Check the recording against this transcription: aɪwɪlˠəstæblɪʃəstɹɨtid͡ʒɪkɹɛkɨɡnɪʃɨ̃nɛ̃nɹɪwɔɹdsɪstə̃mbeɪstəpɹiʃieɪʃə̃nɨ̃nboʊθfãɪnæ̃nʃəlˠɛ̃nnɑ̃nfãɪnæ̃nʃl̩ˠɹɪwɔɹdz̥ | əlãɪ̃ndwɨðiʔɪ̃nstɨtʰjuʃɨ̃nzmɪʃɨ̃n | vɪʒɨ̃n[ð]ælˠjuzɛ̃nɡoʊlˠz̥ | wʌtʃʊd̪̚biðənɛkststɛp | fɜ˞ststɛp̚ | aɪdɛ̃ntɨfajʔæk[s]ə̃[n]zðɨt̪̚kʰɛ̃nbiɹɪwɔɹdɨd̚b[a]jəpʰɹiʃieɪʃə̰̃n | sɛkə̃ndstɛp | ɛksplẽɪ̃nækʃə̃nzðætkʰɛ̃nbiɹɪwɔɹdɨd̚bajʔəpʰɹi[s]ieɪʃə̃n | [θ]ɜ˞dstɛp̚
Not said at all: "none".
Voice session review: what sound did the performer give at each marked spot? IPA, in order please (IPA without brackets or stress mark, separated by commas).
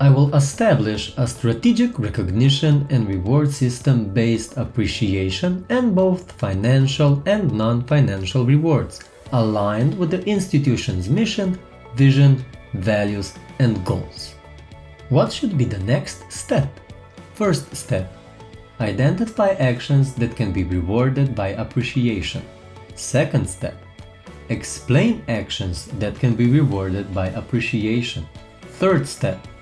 v, ʃ, n, a, ʃ, θ